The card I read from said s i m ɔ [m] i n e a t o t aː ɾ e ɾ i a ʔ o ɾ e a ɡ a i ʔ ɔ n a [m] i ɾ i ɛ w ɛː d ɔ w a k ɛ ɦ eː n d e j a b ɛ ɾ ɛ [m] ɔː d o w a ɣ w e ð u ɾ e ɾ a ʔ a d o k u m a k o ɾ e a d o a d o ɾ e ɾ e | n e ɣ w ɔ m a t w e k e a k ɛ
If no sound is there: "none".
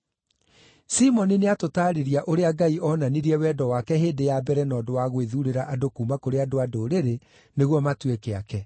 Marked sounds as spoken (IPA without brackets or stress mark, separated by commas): n, n, n